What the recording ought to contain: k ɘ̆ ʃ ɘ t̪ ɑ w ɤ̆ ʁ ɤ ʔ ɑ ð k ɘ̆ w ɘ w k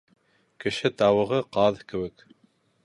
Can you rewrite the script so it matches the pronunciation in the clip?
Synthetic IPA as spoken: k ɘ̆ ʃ ɘ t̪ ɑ w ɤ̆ ʁ ɤ q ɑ ð k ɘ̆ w ɘ k